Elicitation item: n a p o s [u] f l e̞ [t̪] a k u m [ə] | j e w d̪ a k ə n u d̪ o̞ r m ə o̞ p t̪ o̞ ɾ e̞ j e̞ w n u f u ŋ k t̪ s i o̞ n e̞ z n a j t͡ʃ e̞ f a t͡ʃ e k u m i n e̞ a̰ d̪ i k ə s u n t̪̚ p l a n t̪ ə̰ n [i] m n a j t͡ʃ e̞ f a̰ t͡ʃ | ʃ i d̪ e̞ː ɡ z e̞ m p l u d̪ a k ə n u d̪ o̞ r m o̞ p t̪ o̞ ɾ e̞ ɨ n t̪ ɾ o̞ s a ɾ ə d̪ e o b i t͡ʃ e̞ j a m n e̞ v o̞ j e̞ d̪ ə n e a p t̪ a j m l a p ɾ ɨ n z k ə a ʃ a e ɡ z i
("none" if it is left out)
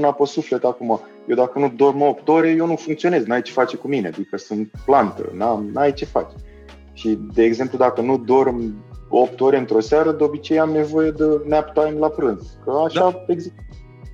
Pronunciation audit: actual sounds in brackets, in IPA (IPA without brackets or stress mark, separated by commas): u, t̪, a, a